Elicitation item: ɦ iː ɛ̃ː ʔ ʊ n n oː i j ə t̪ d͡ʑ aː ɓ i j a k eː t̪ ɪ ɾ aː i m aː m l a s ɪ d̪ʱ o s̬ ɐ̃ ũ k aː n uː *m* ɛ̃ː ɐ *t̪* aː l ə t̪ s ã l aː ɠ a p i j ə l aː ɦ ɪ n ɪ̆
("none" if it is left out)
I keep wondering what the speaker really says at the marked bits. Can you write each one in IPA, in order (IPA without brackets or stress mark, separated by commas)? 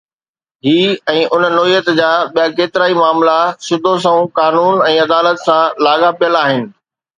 n, d̪